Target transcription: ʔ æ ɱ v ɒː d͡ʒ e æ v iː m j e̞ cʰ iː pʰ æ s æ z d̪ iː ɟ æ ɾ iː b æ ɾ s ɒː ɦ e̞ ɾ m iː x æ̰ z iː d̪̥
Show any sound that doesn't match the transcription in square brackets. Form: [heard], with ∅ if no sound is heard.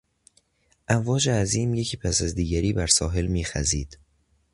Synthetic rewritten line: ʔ æ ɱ v ɒː d͡ʒ e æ [z] iː m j e̞ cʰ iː pʰ æ s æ z d̪ iː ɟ æ ɾ iː b æ ɾ s ɒː ɦ e̞ [l] m iː x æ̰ z iː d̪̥